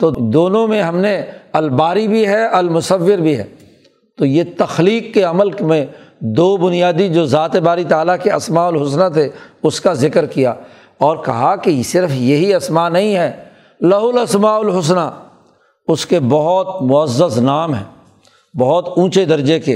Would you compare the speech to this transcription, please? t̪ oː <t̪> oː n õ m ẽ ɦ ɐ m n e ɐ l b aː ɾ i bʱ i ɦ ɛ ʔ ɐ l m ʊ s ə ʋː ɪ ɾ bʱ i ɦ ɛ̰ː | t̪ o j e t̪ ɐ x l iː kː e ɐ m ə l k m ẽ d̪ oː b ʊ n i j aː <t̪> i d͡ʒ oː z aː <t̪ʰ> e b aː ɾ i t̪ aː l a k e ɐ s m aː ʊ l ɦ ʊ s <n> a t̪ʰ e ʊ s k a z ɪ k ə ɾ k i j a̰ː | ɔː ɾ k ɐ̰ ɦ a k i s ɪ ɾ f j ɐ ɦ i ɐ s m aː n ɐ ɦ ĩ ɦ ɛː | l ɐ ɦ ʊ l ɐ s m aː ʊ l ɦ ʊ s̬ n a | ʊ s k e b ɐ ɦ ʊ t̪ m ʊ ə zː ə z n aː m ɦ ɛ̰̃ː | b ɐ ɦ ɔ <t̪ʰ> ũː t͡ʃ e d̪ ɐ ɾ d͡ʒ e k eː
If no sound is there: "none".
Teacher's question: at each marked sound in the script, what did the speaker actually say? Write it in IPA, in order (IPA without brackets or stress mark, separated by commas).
d̪, d̪, t̪, n, t̪